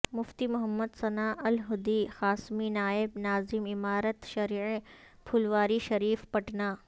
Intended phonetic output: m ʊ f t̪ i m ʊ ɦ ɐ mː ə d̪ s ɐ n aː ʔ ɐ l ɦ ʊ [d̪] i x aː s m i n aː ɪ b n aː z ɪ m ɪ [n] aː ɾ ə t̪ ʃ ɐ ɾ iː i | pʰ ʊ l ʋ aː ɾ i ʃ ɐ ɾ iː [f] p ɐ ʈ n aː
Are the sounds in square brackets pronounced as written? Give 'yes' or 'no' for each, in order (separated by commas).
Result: yes, no, yes